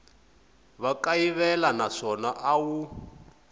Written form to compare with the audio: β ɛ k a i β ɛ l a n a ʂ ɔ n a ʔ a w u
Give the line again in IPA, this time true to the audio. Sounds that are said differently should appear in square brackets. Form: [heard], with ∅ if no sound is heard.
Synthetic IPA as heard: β [a] k a i β ɛ l a n a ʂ ɔ n a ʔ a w u